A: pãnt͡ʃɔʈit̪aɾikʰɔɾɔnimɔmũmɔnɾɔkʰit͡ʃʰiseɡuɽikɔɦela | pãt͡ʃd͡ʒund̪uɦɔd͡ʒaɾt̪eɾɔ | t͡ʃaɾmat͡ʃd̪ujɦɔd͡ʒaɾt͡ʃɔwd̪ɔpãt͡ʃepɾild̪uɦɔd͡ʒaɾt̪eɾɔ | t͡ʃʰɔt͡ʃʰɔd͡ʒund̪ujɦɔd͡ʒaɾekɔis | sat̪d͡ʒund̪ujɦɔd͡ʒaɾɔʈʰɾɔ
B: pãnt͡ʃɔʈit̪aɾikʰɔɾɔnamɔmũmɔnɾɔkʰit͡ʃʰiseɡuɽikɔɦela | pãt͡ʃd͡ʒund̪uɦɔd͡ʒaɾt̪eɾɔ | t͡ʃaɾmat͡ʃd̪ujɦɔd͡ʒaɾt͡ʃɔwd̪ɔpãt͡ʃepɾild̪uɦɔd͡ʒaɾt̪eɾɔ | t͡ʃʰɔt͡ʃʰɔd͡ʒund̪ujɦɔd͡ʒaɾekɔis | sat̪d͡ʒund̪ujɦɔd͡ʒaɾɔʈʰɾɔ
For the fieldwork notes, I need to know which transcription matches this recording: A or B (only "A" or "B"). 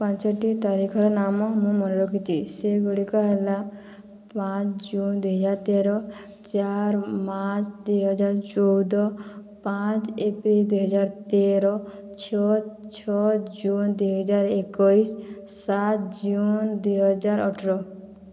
B